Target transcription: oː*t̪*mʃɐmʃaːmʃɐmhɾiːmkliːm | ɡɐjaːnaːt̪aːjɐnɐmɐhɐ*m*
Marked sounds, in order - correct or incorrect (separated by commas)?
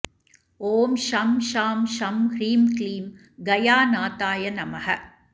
incorrect, incorrect